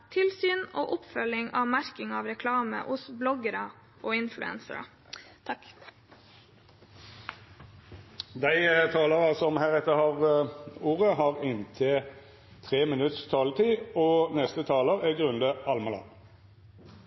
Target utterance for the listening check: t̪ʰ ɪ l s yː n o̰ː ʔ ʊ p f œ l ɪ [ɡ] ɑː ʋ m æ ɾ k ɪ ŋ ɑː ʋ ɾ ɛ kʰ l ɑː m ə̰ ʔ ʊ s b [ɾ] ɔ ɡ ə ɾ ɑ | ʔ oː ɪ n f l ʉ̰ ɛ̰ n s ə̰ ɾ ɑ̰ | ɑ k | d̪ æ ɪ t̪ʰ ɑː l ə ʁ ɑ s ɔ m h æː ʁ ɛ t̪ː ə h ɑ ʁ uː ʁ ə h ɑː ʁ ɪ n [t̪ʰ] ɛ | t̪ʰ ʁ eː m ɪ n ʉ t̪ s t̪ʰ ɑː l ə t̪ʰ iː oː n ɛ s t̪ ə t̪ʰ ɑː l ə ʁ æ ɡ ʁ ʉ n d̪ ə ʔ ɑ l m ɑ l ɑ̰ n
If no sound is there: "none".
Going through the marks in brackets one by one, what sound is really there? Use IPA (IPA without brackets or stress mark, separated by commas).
ŋ, l, t̪ʰ